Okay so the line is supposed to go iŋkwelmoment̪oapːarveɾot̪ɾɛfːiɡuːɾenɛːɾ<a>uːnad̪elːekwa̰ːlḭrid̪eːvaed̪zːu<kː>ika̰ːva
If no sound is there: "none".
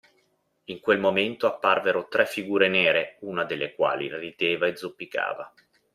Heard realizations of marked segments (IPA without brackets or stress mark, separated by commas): e, pː